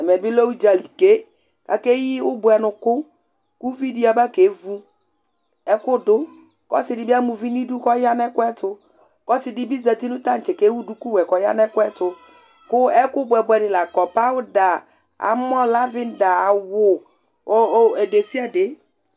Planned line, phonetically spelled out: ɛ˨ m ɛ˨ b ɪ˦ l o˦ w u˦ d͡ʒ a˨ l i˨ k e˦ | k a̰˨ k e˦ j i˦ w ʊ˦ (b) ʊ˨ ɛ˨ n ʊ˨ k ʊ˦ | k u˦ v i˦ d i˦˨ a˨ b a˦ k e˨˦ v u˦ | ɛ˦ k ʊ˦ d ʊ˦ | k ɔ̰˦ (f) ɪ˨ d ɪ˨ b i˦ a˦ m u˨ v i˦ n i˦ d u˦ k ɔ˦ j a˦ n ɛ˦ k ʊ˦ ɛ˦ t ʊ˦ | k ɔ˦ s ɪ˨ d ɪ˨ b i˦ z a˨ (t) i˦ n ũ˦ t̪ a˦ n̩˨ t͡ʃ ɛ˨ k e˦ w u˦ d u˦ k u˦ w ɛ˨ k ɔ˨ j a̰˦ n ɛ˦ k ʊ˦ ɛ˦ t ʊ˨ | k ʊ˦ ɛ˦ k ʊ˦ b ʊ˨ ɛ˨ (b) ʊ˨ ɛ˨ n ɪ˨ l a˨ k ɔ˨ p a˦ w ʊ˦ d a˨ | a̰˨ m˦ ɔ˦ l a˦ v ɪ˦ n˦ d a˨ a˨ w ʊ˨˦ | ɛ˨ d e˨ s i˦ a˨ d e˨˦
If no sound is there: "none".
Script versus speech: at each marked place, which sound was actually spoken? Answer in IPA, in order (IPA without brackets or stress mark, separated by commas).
b, s, t, b